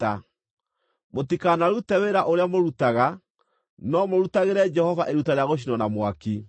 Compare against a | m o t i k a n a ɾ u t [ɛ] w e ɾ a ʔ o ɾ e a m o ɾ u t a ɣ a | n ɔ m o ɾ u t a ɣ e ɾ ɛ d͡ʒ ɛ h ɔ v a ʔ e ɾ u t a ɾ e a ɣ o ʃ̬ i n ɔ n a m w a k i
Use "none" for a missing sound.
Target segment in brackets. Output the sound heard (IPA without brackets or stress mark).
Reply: ɛ